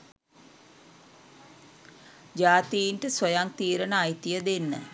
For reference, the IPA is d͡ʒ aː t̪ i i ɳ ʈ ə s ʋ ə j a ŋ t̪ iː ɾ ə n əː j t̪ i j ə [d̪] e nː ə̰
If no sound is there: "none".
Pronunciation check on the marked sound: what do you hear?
d̪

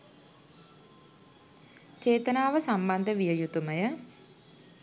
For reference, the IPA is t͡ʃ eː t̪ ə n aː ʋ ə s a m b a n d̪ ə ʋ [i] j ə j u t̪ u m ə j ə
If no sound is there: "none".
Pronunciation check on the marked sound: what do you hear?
i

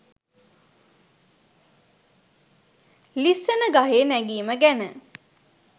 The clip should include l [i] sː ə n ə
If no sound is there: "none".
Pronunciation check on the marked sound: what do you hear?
i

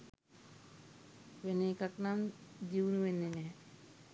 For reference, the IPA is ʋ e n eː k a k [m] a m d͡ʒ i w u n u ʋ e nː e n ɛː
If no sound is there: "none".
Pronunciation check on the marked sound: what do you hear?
n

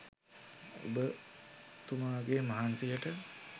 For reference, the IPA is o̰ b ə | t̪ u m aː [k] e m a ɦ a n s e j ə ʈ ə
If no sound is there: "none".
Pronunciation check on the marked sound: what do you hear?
ɡ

